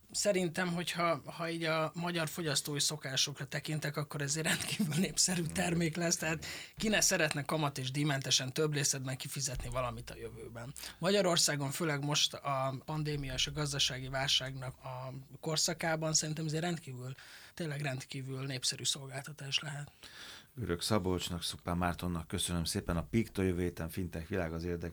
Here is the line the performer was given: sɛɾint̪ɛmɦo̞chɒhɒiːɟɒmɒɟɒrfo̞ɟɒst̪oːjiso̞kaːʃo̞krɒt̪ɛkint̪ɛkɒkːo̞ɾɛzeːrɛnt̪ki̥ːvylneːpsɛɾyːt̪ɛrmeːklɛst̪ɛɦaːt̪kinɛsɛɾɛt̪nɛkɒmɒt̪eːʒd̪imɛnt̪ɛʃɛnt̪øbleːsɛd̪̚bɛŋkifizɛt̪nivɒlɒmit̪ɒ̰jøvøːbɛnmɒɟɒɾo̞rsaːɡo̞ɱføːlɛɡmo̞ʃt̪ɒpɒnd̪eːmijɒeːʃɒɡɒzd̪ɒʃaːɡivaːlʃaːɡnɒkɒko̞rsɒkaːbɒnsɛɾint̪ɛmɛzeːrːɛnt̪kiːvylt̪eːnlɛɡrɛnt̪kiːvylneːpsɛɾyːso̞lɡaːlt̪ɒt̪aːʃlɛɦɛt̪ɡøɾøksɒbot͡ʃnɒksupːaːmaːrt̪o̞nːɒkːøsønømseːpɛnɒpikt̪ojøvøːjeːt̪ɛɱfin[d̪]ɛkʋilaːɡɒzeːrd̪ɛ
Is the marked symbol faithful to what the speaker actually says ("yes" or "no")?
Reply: no